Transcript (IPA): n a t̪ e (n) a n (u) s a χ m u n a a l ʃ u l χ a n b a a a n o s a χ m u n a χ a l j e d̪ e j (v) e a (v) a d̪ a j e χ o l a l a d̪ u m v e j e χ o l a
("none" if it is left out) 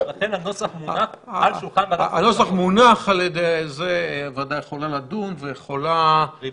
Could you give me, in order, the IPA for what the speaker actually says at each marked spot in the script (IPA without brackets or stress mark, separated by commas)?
n, o, z, v